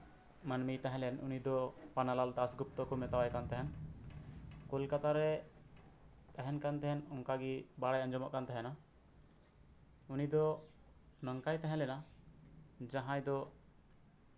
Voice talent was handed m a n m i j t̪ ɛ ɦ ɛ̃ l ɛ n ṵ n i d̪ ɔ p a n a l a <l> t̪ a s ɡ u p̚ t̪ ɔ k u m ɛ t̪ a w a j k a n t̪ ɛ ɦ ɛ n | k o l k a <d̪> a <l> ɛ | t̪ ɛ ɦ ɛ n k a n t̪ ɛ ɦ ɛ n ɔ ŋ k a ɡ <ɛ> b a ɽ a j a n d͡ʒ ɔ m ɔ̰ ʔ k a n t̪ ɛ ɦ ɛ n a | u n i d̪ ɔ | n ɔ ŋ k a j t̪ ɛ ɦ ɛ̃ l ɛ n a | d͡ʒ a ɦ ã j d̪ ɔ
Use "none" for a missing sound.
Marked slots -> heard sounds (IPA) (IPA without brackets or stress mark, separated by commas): l, t̪, ɾ, i